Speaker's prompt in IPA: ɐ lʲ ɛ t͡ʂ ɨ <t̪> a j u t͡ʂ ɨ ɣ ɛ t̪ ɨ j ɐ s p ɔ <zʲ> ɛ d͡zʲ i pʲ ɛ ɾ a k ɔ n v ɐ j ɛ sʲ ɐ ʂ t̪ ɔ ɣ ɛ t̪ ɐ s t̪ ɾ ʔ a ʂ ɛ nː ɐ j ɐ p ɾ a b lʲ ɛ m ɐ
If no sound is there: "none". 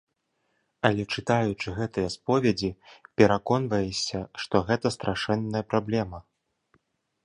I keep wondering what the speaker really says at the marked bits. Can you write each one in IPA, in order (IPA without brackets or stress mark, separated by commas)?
t̪, vʲ